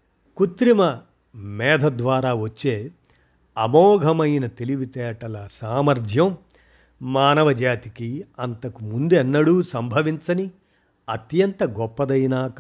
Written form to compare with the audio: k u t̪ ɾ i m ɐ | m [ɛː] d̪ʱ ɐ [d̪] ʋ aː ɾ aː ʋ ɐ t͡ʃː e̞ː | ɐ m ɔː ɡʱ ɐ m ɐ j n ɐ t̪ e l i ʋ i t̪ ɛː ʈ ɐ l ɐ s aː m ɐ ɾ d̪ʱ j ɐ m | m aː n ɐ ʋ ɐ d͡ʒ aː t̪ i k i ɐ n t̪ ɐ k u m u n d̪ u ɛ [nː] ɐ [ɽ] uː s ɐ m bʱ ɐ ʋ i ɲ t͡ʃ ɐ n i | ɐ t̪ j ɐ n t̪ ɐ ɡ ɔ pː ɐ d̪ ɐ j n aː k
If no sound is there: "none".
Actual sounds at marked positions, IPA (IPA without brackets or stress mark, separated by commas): ɛː, d̪, nː, ɽ